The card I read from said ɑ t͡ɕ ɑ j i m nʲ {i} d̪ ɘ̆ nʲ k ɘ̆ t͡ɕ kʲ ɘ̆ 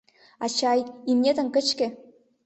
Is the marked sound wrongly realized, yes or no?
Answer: yes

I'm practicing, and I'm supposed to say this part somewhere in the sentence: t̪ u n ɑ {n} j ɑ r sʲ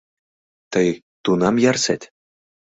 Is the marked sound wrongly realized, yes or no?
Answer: yes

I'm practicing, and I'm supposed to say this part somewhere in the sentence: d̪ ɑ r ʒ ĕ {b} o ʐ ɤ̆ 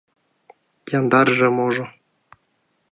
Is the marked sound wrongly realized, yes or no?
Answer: yes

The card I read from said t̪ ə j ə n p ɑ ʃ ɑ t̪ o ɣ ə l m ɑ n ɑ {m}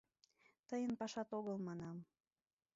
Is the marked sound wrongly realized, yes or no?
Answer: no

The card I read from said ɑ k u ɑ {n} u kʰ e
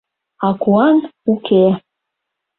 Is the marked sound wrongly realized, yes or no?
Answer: no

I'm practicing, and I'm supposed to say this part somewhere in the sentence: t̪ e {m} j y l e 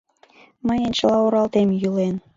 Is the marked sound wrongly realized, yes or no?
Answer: no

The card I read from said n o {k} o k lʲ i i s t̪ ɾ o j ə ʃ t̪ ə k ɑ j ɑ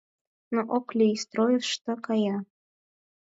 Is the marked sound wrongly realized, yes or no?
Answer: yes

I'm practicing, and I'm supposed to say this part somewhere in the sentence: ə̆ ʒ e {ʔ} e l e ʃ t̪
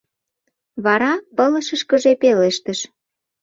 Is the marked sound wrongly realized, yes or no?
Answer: yes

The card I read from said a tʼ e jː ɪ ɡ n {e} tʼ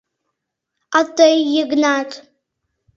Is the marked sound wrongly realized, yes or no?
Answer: yes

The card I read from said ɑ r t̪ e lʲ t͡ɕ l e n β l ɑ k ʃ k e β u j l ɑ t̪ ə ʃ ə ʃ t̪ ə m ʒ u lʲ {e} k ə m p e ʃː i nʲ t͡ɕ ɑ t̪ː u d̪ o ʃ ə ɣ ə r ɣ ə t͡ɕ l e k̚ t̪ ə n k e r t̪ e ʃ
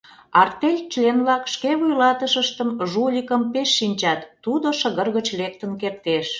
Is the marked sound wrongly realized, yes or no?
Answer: yes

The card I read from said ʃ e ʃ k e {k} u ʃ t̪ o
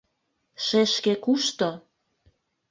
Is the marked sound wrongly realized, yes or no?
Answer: no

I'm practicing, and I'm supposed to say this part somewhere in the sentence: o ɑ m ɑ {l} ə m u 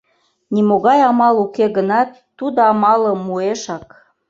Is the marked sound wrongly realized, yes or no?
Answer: no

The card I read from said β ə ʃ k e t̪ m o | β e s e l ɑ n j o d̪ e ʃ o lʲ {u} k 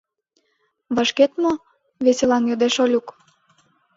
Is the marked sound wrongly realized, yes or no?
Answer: no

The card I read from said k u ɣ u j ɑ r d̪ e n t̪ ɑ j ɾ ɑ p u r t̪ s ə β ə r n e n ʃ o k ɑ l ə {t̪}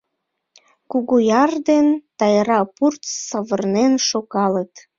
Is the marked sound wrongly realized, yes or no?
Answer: no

